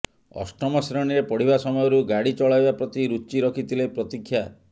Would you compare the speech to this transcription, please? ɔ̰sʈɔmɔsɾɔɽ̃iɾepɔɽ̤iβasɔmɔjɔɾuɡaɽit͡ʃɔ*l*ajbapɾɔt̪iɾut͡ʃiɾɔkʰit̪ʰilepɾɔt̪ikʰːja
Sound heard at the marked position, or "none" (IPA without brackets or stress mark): ɭ